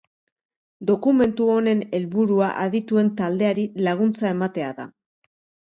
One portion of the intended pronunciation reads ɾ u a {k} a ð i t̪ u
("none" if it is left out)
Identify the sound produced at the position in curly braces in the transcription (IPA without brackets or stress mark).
ʔ